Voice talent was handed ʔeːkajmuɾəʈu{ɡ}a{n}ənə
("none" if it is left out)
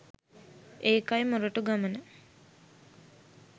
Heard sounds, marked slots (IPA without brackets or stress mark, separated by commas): ɡ, m